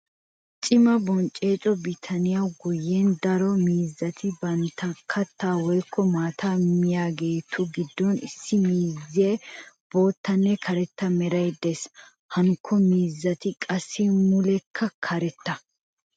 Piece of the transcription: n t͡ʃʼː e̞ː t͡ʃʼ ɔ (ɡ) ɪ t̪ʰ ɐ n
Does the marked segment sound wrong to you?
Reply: yes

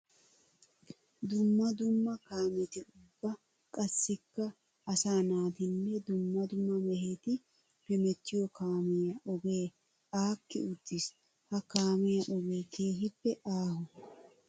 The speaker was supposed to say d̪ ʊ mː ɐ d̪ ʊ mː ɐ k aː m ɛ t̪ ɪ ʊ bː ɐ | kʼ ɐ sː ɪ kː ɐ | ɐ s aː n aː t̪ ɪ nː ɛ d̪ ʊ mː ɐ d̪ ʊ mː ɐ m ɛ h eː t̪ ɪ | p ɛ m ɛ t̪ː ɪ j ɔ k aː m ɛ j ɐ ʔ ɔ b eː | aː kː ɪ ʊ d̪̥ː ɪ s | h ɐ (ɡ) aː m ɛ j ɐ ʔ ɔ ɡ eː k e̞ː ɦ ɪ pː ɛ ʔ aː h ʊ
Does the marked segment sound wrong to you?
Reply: yes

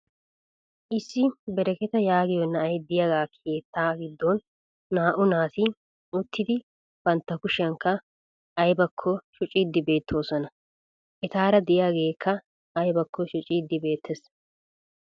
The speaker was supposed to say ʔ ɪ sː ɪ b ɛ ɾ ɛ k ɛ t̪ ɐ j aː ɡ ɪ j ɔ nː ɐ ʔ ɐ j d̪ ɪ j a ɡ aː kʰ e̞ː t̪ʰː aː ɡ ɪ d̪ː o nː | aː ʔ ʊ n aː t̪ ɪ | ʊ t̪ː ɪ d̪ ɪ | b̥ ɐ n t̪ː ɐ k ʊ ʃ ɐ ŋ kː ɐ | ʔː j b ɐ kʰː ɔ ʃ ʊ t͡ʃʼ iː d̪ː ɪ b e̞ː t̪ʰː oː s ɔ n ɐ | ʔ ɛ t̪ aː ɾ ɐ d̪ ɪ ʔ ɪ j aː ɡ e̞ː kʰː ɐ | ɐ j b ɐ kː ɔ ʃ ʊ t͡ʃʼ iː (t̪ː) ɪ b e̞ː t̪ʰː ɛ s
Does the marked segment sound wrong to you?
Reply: yes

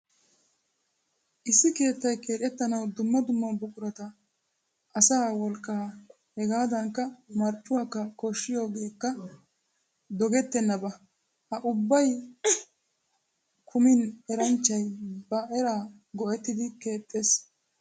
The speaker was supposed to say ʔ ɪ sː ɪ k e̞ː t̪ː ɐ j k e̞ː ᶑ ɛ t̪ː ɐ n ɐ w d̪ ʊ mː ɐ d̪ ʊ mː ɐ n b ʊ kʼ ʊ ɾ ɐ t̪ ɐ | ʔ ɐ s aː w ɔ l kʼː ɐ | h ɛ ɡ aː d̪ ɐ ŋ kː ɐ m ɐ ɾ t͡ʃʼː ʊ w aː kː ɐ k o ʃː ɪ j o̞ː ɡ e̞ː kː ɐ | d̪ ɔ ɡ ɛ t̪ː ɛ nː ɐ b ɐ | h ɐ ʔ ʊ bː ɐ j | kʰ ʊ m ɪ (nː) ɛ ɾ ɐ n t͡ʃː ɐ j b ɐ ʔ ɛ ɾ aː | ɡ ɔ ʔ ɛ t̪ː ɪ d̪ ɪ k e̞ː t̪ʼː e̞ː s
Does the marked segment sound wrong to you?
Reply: yes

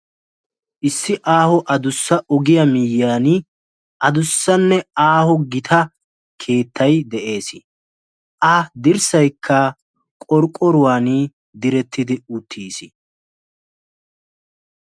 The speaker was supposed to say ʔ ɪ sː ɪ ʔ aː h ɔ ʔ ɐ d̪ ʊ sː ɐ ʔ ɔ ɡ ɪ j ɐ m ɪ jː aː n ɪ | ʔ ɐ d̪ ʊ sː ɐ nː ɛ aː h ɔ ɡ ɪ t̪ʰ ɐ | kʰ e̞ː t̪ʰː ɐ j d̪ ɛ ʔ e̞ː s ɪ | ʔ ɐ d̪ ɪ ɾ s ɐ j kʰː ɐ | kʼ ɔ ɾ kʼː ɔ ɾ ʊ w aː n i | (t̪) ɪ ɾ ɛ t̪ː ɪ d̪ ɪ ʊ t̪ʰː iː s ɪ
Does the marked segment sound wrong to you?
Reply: yes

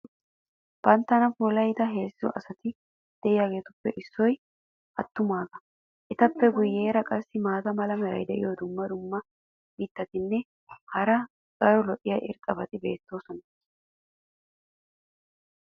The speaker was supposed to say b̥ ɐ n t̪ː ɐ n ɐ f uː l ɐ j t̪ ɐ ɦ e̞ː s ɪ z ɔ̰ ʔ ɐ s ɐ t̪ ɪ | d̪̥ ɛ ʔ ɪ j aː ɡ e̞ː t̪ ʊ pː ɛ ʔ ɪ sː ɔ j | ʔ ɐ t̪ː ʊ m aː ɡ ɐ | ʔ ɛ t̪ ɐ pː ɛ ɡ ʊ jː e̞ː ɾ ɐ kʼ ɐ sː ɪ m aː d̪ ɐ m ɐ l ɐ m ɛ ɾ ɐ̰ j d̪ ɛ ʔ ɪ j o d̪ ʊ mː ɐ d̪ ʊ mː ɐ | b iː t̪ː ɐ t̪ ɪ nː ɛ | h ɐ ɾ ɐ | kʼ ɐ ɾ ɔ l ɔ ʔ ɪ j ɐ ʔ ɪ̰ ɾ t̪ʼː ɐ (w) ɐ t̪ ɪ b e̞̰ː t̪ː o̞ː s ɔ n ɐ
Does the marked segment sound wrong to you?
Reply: yes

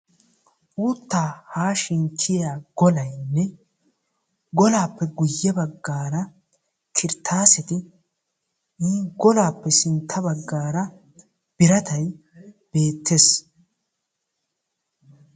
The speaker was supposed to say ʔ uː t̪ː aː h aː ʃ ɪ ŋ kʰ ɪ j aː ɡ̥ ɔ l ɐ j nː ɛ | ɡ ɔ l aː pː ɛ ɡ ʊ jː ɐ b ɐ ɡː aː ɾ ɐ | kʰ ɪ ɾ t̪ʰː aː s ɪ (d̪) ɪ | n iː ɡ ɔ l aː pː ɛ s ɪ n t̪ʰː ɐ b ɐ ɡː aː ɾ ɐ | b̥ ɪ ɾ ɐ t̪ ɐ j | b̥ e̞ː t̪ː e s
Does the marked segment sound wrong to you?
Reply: yes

